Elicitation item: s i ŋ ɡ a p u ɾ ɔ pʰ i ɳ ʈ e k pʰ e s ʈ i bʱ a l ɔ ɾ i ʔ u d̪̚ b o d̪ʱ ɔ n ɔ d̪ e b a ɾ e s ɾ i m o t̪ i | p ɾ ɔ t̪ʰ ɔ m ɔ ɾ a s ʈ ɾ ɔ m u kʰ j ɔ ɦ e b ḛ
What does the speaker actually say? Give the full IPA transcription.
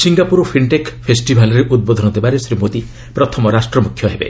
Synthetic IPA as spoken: s i ŋ ɡ a p u ɾ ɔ pʰ i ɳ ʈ e k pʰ e s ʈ i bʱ a l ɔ ɾ e ʔ u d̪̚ b o d̪ʱ ɔ n ɔ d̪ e b a ɾ e s ɾ i m o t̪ i | p ɾ ɔ t̪ʰ ɔ m ɔ ɾ a s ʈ ɾ ɔ m u kʰ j ɔ ɦ e b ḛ